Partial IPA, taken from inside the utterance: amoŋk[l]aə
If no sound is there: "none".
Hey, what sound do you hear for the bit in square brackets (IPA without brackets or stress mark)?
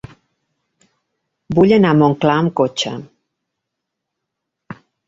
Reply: l